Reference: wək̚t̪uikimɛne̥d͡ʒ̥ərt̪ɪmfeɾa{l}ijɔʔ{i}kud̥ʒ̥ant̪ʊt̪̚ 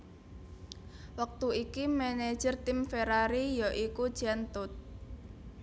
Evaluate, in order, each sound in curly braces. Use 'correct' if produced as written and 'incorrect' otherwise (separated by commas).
incorrect, correct